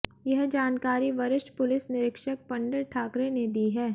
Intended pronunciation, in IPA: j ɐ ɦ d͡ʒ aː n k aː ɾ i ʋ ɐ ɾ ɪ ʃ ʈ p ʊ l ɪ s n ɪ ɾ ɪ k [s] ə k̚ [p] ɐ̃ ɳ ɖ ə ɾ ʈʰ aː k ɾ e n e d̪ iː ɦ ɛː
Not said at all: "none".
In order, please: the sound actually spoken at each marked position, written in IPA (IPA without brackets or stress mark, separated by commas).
ʃ, p